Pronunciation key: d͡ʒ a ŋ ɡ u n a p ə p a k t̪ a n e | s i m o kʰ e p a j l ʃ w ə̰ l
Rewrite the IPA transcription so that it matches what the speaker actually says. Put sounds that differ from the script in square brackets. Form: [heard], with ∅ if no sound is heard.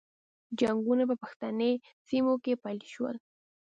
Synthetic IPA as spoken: d͡ʒ a ŋ ɡ u n a p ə p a [x] t̪ a n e | s i m o [k] e p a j l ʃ w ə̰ l